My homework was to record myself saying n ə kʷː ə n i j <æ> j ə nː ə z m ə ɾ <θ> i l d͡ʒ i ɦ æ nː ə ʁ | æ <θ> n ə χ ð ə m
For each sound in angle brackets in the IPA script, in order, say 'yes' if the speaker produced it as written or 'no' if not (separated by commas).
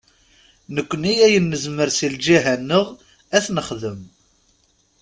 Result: yes, no, yes